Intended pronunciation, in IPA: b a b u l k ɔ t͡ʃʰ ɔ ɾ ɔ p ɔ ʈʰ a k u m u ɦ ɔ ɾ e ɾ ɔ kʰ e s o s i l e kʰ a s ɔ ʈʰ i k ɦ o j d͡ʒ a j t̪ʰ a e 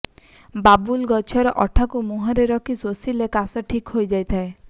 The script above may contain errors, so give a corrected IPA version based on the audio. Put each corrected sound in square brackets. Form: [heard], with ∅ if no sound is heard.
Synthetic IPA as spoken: b a b u l [ɡ] ɔ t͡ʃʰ ɔ ɾ ɔ [ʔ] ɔ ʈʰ a k u m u ɦ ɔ ɾ e ɾ ɔ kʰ [i] s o s i l e [k] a s ɔ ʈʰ i k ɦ o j d͡ʒ a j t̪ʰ a e